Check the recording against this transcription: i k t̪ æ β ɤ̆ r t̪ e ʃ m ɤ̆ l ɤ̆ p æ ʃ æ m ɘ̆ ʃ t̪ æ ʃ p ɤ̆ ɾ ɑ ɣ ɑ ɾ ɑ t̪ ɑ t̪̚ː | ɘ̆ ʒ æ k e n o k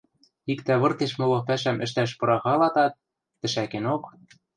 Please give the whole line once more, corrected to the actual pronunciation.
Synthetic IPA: i k t̪ æ β ɤ̆ r t̪ e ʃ m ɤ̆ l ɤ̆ p æ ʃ æ m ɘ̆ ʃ t̪ æ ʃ p ɤ̆ ɾ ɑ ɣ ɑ l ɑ t̪ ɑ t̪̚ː | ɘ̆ ʃ æ k e n o k